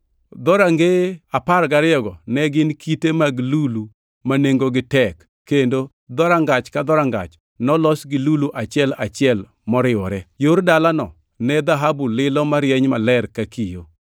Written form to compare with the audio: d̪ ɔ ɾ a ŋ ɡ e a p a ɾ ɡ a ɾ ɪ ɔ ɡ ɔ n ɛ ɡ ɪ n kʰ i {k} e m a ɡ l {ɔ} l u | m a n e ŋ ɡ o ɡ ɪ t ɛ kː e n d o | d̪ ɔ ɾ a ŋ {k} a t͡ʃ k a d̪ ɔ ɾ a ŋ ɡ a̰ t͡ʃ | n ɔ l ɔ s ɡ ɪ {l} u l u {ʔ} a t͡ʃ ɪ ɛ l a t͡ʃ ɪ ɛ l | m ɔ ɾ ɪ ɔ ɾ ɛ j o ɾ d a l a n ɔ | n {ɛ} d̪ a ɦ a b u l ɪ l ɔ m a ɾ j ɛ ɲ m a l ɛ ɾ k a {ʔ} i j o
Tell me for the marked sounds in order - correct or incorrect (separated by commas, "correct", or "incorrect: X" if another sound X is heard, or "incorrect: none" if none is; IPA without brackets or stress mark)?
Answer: incorrect: t, incorrect: u, incorrect: ɡ, correct, correct, correct, incorrect: k